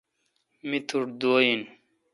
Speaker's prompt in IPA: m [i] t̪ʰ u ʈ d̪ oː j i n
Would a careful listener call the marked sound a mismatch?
no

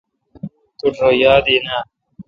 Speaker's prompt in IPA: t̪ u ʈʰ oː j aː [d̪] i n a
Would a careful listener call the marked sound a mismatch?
no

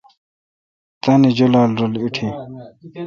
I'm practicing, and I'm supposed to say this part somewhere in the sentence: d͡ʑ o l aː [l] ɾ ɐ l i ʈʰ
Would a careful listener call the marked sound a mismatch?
no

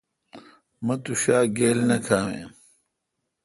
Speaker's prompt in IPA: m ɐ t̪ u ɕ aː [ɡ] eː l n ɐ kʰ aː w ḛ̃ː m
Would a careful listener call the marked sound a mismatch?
no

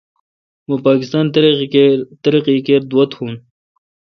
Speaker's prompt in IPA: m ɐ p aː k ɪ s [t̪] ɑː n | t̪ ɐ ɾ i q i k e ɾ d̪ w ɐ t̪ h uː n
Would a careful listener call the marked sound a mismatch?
no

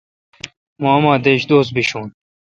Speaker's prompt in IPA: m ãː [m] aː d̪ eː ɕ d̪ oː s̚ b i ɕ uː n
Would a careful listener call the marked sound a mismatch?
no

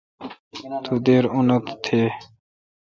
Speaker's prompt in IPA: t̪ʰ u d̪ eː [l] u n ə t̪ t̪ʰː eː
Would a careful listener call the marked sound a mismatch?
yes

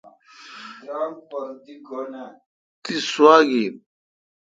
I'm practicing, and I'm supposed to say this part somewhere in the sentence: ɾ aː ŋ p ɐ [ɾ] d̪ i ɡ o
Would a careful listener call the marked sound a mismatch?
no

